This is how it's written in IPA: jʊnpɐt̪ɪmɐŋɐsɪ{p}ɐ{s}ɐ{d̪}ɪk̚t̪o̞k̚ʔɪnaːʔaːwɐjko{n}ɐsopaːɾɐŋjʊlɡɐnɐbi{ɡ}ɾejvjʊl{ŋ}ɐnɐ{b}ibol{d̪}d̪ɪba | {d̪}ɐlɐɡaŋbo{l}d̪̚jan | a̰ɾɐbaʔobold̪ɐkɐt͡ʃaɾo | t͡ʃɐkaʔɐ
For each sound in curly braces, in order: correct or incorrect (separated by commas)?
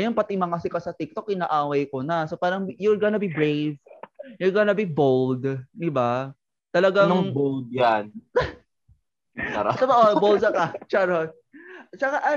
incorrect, correct, incorrect, correct, incorrect, incorrect, correct, correct, incorrect, correct